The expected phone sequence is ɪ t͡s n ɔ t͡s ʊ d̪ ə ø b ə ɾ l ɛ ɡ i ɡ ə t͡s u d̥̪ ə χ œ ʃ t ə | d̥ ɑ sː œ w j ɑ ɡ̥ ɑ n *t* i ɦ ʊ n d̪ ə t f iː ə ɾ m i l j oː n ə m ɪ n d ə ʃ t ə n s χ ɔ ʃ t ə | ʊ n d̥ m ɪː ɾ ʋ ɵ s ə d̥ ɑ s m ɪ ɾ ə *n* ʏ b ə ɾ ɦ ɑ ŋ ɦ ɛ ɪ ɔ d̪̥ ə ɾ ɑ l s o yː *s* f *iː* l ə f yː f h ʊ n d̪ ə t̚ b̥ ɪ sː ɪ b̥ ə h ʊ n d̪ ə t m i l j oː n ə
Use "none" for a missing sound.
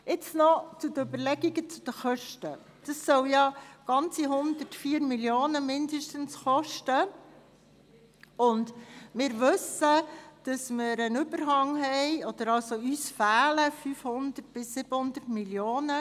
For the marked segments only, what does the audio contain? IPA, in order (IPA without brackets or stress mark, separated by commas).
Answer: t͡s, n, s, æː